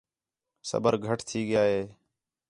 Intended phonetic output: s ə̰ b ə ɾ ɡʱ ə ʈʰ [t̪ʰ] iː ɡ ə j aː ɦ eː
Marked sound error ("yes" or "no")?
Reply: no